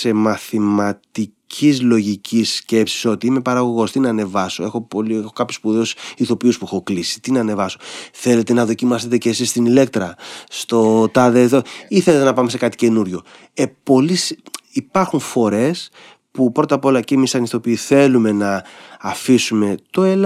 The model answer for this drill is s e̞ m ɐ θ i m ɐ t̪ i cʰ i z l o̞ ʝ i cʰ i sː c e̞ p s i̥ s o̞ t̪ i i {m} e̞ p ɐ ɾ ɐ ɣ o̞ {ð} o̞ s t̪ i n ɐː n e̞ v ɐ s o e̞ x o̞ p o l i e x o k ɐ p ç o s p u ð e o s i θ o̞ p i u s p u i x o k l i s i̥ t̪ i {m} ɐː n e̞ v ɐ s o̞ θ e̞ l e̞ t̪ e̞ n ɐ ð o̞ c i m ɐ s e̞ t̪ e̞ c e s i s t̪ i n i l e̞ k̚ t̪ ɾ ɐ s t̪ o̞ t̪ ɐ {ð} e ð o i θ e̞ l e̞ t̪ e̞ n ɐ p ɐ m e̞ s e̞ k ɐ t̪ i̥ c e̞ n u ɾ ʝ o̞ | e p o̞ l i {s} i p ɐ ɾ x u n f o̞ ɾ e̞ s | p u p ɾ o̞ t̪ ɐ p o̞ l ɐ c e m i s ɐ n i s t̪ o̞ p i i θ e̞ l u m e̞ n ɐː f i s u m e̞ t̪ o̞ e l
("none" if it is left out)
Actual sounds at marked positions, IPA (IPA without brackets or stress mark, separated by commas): m, ɣ, n, ð, s